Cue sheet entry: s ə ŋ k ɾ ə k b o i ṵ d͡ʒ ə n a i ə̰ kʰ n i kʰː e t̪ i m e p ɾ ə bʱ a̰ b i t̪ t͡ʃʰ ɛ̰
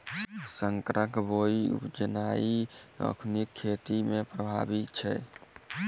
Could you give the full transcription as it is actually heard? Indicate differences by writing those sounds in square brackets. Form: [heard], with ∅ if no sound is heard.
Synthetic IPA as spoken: s ə ŋ k ɾ ə k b o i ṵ d͡ʒ ə n a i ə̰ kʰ n i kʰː e t̪ i m e p ɾ ə bʱ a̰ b i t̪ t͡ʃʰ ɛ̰